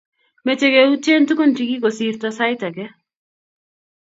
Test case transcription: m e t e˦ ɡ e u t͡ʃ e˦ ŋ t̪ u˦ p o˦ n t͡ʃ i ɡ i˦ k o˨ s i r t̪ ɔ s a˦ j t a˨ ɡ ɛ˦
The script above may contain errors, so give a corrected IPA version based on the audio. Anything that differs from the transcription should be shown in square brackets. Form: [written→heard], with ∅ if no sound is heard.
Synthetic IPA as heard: m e [t→t͡ʃ] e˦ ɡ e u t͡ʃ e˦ [ŋ→n] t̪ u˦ [p→k] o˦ n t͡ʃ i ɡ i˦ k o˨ s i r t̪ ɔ s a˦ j t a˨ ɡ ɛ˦